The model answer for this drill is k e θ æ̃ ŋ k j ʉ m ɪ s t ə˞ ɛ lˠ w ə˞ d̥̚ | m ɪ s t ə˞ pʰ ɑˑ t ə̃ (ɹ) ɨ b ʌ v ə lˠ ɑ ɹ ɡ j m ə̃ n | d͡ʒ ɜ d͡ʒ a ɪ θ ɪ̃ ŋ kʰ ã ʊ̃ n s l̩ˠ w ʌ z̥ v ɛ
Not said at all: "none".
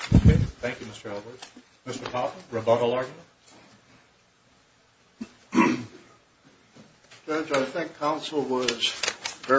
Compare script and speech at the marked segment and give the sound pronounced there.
ɹ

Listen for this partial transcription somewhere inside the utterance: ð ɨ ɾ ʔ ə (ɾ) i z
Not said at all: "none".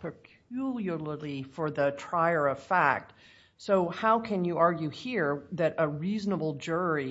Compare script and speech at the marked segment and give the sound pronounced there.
ɹ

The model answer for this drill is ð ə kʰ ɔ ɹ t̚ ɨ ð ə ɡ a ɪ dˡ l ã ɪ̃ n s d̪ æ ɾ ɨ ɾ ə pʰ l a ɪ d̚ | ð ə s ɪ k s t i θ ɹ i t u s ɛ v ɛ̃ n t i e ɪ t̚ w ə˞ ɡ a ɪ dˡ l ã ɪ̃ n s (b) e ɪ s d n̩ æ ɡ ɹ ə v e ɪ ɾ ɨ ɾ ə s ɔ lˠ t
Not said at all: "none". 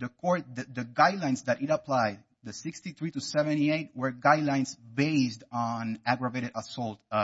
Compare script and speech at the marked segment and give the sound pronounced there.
b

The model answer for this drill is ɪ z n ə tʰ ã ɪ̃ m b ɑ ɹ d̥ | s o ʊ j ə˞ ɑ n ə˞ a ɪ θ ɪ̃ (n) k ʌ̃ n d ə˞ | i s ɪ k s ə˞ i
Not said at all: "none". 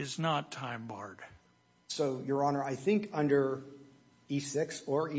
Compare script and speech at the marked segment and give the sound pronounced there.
ŋ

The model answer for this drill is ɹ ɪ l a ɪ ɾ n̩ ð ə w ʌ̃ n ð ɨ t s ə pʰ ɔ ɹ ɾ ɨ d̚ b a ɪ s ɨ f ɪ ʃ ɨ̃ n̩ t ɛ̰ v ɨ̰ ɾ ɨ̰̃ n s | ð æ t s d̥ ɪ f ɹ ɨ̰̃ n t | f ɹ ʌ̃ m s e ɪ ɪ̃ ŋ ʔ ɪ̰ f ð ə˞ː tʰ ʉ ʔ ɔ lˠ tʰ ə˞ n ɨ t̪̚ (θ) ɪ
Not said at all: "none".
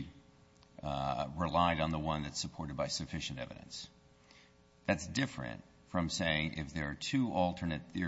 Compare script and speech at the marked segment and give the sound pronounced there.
θ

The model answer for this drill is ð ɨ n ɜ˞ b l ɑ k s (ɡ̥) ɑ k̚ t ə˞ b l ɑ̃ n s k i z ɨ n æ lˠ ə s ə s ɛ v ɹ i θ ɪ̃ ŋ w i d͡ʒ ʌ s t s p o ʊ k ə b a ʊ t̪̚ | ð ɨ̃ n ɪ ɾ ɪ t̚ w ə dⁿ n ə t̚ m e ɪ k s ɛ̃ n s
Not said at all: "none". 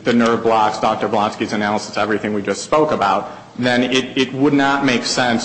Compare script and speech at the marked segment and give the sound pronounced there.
d̥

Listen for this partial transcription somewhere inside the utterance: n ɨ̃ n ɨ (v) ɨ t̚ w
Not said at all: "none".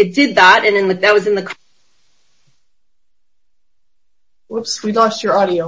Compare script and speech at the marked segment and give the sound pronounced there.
ð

